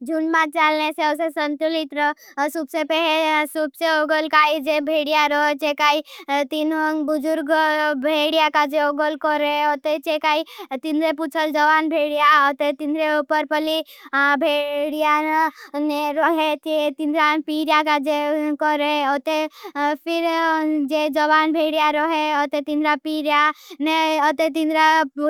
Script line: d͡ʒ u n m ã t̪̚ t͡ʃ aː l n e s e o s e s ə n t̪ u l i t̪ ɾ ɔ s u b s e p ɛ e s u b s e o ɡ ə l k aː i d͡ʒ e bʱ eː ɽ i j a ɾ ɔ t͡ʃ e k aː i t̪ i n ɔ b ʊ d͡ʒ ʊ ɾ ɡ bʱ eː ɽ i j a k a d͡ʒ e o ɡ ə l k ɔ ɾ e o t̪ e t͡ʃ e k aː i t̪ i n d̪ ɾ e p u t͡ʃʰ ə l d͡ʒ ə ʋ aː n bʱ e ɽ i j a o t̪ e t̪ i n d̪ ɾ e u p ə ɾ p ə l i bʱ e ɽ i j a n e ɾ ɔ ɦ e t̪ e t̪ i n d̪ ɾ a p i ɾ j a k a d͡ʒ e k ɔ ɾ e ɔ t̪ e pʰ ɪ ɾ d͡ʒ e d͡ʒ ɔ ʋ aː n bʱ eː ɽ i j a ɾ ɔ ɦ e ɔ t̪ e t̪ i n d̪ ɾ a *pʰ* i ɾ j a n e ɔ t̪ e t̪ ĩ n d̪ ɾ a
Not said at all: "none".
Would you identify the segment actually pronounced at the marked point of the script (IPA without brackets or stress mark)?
p